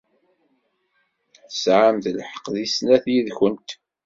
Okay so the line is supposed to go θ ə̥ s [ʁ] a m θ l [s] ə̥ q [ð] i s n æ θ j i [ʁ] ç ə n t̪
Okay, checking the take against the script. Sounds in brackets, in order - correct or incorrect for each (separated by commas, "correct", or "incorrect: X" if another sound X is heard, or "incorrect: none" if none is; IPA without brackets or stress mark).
incorrect: ʕ, incorrect: ħ, correct, incorrect: ð